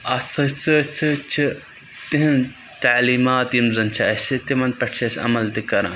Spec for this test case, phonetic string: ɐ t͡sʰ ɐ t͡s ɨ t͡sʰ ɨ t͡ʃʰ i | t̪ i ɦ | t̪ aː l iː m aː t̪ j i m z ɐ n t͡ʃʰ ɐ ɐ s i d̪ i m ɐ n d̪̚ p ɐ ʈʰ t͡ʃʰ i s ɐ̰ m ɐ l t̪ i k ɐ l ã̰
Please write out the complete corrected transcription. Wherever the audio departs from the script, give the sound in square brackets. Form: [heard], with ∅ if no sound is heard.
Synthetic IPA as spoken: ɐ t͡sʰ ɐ t͡s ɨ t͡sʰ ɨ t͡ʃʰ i | t̪ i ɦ | t̪ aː l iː m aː t̪ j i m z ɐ n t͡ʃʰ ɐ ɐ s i [t̪] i m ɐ n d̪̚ p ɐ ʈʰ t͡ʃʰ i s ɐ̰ m ɐ l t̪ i k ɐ [ɾ] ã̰